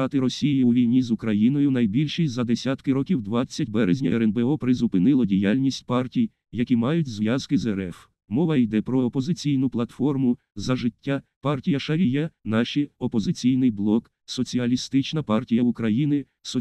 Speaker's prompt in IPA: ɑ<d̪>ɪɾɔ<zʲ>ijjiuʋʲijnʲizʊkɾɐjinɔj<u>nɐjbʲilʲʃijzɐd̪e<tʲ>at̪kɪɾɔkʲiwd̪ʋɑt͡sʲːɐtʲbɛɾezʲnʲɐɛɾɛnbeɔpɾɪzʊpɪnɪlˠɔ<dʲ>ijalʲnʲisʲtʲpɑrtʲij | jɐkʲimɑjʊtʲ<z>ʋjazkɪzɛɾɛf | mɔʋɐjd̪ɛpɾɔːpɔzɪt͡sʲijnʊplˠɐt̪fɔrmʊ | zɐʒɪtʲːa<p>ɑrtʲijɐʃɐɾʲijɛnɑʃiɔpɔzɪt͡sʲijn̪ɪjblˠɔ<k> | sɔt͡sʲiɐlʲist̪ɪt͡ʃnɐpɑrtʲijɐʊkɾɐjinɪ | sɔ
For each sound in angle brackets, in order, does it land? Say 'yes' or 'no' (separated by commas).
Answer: no, no, no, no, yes, yes, yes, yes